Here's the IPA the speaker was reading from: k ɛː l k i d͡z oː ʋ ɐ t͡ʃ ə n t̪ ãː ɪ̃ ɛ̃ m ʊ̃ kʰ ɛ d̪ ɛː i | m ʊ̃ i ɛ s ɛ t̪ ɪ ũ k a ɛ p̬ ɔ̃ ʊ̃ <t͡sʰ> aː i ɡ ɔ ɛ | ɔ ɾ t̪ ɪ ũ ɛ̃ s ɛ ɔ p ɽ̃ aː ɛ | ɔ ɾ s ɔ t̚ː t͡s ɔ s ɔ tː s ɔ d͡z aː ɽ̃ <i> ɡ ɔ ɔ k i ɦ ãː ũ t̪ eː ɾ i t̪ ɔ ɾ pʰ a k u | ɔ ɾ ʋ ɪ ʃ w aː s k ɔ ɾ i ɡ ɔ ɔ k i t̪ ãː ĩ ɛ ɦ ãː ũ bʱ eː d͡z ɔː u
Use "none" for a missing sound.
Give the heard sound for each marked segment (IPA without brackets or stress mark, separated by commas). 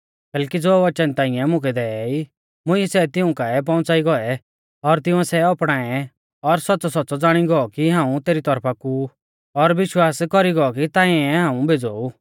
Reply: t͡s, i